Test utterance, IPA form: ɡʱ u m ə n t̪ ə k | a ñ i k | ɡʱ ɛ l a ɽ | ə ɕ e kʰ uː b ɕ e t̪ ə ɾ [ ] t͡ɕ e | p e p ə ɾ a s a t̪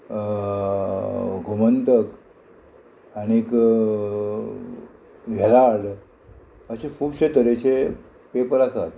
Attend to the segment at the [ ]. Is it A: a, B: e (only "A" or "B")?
B